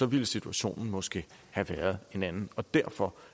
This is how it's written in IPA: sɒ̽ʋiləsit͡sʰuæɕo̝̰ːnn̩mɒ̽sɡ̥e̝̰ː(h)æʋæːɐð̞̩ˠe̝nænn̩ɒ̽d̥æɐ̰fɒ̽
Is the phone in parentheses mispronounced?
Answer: no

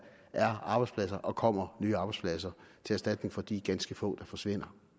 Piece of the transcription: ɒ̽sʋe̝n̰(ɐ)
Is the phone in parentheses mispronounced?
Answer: no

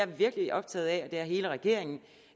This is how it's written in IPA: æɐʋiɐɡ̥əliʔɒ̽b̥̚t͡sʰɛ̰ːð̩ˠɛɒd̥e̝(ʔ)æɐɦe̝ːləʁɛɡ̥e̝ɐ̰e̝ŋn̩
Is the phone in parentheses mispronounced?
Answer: yes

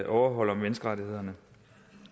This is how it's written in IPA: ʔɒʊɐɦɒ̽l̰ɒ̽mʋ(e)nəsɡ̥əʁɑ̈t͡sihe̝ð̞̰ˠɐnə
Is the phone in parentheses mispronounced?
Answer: no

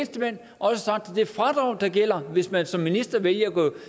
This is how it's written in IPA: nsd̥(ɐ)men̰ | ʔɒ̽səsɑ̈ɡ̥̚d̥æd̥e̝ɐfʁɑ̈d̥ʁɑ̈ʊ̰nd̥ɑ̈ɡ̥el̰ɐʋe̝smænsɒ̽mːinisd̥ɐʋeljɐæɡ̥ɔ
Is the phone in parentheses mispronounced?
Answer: yes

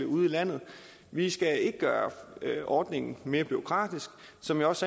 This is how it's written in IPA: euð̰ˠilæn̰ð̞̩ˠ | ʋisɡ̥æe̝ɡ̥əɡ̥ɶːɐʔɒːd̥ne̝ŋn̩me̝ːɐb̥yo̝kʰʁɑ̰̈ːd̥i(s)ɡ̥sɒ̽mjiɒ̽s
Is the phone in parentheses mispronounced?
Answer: no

